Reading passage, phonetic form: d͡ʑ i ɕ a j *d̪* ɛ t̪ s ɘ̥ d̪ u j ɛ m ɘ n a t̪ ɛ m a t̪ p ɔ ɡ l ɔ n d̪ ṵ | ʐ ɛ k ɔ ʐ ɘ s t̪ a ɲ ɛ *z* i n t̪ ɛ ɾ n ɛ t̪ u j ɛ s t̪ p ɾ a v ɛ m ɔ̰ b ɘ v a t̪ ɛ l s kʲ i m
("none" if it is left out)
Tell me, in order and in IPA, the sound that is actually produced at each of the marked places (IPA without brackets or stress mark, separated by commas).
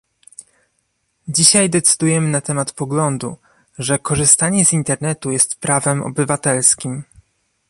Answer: d̪, z